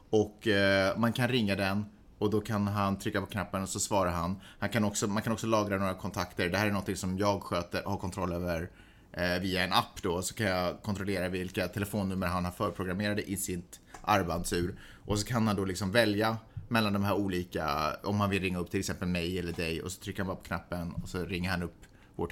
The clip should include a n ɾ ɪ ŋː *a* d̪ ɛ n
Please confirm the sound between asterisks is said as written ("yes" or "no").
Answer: yes